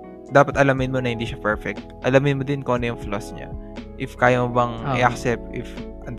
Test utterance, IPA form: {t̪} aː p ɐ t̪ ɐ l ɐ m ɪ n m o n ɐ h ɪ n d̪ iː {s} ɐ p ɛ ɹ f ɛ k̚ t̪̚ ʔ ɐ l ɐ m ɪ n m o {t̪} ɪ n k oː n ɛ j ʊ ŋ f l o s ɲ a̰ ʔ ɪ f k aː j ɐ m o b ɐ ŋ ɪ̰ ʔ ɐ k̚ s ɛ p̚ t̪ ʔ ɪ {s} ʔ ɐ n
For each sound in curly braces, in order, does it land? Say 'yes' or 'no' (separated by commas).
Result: no, no, no, no